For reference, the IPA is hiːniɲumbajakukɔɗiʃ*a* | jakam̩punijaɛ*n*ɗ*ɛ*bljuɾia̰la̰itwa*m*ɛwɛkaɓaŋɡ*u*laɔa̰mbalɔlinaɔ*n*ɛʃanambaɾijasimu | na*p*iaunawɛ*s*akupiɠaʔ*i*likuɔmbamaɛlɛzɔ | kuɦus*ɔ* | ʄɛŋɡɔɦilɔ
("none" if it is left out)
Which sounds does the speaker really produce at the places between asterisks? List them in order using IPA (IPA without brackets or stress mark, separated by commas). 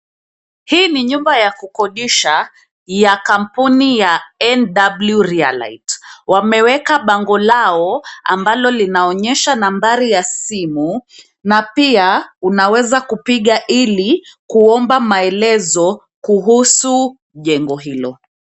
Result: a, n, a, m, ɔ, ɲ, p, z, i, u